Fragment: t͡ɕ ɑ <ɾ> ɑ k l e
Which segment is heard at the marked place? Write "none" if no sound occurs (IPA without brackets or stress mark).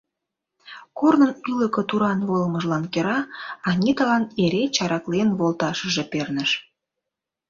ɾ